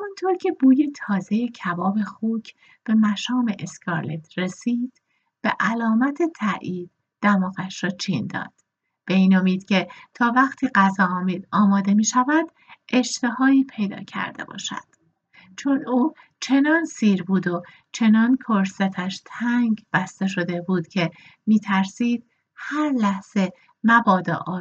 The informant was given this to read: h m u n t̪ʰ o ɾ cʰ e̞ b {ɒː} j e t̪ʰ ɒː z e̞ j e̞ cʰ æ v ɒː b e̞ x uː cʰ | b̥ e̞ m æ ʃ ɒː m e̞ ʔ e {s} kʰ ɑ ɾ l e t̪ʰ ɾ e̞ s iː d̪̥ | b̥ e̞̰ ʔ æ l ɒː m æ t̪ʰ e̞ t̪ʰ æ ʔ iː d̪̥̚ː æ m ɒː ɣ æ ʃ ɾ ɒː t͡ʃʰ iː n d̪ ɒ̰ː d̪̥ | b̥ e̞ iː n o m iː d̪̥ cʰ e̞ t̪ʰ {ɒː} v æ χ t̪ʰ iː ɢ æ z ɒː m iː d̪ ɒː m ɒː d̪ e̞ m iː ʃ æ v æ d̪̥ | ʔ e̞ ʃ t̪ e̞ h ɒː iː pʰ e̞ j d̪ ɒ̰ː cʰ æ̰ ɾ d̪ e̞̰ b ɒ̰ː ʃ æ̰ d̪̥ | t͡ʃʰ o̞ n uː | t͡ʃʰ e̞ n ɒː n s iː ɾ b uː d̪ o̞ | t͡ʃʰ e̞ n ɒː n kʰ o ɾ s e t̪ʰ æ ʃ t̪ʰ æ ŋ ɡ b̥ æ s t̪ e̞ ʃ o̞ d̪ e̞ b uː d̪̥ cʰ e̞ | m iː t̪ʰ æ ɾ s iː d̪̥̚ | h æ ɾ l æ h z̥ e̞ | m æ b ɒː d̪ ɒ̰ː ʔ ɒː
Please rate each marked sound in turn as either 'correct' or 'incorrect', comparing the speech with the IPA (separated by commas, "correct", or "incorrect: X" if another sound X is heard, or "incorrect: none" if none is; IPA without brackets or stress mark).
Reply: incorrect: uː, correct, correct